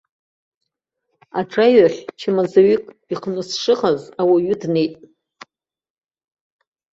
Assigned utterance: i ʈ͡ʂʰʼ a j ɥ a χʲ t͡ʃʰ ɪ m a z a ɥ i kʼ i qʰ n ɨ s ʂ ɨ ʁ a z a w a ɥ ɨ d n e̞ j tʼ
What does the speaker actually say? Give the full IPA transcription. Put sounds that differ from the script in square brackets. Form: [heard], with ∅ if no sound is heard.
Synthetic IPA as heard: [a] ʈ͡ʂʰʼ a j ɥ a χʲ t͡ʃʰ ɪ m a z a ɥ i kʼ i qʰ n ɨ s ʂ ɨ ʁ a z a w a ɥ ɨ d n e̞ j tʼ

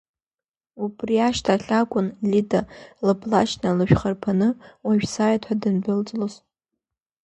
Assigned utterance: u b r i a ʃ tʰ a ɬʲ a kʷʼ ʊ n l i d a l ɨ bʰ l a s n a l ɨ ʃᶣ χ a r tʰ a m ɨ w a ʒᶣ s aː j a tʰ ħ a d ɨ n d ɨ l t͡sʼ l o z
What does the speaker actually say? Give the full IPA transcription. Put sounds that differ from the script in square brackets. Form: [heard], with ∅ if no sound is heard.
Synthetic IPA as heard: u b r i a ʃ tʰ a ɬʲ a kʷʼ ʊ n l i d a l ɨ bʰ l a [ʃ] n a l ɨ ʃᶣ χ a r [pʰ] a [n] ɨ w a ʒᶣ s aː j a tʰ ħ a d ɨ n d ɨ l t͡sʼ l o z

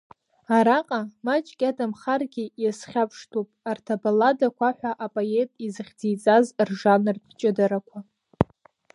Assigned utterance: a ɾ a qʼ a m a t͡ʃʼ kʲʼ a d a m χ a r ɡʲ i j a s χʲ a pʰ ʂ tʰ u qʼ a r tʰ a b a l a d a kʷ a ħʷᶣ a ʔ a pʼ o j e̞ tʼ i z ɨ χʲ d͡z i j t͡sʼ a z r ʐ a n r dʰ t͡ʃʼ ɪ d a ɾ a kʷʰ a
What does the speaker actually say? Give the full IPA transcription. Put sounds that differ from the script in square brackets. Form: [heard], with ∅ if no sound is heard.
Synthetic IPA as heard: a ɾ a qʼ a m a t͡ʃʼ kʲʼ a d a m χ a r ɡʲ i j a s χʲ a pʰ ʂ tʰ u [pʼ] a r tʰ a b a l a d a kʷ a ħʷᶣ a ʔ a pʼ o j e̞ tʼ i z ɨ χʲ d͡z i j t͡sʼ a z r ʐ a n r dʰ t͡ʃʼ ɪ d a ɾ a kʷʰ a

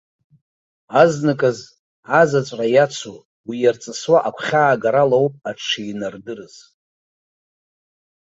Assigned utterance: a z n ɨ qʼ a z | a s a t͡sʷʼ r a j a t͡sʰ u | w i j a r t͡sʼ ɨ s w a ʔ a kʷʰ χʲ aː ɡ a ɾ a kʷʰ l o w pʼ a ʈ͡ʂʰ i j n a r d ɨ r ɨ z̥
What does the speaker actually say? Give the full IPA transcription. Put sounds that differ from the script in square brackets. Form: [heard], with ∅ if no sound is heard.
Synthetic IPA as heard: a z n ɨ [kʼ] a z | a [z] a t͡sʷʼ r a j a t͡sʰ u | w i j a r t͡sʼ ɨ s w a ʔ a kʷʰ χʲ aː ɡ a ɾ a [∅] l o w pʼ a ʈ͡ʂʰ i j n a r d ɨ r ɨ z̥

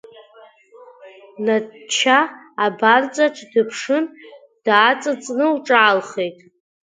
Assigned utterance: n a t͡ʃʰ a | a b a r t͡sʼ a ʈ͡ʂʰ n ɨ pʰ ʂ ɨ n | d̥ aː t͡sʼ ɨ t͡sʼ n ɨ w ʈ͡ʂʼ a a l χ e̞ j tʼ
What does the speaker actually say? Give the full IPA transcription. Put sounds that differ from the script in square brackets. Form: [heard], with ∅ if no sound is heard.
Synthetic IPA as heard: n a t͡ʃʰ a | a b a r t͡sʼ a ʈ͡ʂʰ [d] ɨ pʰ ʂ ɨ n | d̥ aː t͡sʼ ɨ t͡sʼ n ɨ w ʈ͡ʂʼ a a l χ e̞ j tʼ

